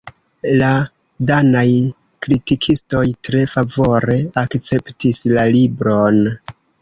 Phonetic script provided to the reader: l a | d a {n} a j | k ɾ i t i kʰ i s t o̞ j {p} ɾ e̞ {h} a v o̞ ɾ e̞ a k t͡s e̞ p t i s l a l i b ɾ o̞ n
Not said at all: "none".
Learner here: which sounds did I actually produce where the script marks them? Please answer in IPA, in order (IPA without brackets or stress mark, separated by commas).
n, t, f